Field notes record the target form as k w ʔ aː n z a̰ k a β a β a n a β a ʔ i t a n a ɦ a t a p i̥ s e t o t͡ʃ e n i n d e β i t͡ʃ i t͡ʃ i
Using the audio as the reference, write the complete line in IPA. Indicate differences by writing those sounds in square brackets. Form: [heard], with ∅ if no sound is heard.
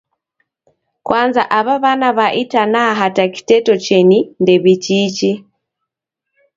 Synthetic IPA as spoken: k w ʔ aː n z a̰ [ʔ] a β a β a n a β a ʔ i t a n a ɦ a t a [k] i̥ [t] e t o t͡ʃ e n i n d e β i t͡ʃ i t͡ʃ i